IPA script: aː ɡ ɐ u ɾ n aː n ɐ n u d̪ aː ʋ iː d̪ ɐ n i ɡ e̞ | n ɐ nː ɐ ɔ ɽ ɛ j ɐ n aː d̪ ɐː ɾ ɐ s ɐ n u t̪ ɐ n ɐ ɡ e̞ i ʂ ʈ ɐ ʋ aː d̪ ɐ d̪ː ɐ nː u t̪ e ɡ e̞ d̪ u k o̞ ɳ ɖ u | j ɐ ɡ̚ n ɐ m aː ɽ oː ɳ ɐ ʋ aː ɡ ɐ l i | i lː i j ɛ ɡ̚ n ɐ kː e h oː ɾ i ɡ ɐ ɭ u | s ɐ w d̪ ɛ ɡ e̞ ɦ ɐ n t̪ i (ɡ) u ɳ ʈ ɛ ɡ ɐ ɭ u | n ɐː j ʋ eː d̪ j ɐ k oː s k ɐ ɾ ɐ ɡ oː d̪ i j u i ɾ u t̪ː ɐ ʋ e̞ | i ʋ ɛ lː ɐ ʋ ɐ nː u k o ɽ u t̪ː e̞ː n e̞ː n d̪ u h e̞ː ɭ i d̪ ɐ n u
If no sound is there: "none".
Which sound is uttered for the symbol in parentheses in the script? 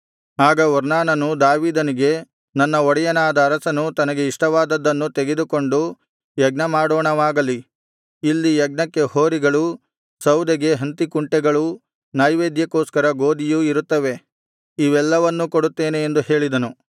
k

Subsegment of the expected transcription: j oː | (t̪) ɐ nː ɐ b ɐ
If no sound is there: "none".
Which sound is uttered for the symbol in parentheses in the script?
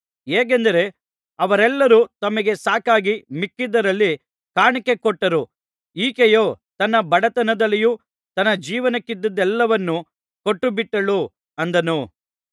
t̪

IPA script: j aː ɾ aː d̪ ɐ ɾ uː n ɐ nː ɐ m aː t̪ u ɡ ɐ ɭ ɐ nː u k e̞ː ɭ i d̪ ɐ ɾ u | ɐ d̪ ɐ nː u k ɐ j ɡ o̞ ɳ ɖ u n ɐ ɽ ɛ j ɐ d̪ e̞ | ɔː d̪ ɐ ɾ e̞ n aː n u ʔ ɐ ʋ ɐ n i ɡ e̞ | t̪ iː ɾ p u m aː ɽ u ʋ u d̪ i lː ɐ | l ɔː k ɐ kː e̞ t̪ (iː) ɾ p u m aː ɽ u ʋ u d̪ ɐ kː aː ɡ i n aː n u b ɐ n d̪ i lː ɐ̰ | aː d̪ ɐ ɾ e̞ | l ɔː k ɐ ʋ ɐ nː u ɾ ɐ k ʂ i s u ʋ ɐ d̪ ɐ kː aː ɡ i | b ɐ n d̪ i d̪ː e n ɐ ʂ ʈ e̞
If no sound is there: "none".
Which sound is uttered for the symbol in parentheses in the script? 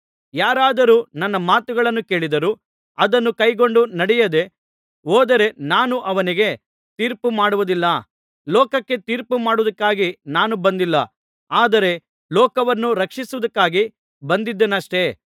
iː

